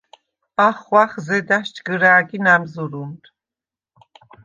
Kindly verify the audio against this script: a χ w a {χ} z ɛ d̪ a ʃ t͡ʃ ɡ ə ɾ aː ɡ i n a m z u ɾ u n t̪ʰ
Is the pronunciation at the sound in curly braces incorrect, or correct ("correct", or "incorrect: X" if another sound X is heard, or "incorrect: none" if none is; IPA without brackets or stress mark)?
correct